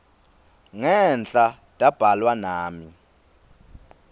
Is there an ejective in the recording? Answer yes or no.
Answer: yes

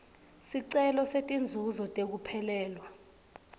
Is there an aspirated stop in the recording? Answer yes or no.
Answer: yes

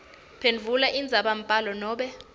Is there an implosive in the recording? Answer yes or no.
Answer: yes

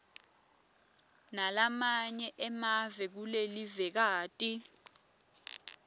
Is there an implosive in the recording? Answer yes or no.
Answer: no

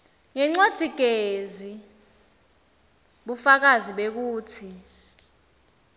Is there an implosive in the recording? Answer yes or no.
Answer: yes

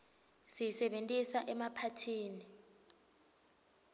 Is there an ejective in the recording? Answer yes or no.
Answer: yes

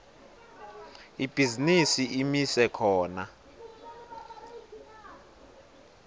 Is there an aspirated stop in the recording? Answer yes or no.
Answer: yes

